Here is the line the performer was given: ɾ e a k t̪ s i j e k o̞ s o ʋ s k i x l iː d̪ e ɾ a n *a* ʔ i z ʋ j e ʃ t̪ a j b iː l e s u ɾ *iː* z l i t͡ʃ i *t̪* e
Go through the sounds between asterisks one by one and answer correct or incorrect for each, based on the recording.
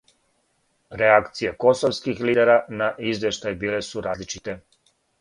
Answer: correct, incorrect: aː, correct

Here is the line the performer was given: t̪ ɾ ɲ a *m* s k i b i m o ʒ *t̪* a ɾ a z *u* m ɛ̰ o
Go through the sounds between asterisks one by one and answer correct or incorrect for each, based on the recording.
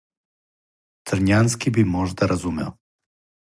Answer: incorrect: n, incorrect: d̪, correct

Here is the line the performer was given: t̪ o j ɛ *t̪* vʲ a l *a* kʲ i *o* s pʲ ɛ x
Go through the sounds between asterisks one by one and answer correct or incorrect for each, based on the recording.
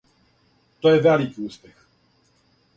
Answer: incorrect: none, incorrect: i, incorrect: u

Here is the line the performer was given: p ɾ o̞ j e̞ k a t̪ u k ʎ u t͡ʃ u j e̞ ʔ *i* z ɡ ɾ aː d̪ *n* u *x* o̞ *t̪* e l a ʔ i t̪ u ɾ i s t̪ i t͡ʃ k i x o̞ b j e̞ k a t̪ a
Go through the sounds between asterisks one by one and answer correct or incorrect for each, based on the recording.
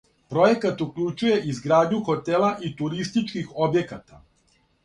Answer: correct, incorrect: ɲ, correct, correct

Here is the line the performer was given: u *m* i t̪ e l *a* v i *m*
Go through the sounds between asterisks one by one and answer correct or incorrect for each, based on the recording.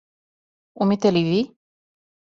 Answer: correct, incorrect: i, incorrect: none

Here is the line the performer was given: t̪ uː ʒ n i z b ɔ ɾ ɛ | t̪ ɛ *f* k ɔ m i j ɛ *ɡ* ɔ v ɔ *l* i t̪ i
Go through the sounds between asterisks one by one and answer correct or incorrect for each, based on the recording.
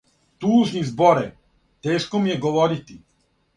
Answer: incorrect: ʃ, correct, incorrect: ɾ

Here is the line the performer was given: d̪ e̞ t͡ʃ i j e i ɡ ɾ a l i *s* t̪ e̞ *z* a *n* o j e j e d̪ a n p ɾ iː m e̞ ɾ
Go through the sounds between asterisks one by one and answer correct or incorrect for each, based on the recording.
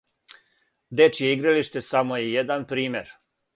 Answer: incorrect: ʃ, incorrect: s, incorrect: m

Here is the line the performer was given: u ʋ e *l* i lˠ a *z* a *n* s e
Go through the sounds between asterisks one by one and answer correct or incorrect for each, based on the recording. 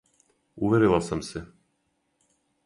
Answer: incorrect: ɾ, incorrect: s, incorrect: m

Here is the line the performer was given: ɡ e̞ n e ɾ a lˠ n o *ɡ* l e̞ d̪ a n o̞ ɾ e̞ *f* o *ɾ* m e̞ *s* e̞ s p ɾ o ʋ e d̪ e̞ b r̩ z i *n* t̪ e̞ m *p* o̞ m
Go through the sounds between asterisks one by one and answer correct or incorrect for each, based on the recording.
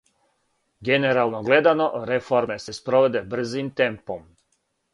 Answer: correct, correct, correct, correct, incorrect: m, correct

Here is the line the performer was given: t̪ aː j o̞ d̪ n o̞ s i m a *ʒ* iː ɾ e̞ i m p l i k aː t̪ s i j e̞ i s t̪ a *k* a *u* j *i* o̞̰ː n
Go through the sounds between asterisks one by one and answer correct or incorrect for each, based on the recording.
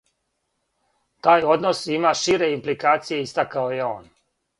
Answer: incorrect: ʃ, correct, incorrect: o, incorrect: e

